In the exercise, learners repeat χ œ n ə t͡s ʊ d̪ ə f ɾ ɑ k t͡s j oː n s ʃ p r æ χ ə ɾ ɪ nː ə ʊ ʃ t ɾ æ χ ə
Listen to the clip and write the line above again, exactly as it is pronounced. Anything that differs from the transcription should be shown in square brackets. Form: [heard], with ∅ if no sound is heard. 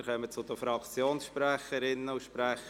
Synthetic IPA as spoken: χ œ [m] ə t͡s ʊ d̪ ə f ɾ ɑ k t͡s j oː n s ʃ p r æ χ ə ɾ ɪ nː ə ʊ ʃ [p] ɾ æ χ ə